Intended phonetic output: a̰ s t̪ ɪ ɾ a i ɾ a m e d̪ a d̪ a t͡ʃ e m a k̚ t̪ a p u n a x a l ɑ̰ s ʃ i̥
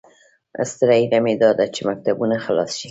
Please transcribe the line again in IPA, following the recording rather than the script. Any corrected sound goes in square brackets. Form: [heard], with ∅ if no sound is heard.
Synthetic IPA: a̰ s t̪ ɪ ɾ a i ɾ a m e d̪ [ɑ] d̪ a t͡ʃ e m a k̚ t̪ a [b] u n a x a l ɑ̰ s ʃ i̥